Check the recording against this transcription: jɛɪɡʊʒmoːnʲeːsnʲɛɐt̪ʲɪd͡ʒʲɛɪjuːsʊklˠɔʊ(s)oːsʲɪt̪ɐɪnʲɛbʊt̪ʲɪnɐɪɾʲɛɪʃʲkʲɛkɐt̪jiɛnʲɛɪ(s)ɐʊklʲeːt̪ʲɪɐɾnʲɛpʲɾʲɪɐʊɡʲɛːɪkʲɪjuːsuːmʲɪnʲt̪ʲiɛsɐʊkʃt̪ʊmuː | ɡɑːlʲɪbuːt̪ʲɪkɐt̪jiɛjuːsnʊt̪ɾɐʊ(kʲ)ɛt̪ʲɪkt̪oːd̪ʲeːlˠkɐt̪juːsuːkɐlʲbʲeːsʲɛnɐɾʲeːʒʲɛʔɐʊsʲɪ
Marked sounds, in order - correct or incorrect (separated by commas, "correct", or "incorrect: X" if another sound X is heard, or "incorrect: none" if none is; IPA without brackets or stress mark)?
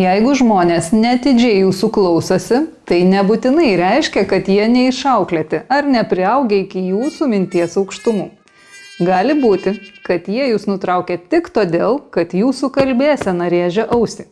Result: correct, incorrect: ʃ, correct